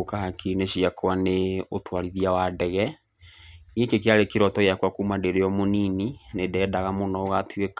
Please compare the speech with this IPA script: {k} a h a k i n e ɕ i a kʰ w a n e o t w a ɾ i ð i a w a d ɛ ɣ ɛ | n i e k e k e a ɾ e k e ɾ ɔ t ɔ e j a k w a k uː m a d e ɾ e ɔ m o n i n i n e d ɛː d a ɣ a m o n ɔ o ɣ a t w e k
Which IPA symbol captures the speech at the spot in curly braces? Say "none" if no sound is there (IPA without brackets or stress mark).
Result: k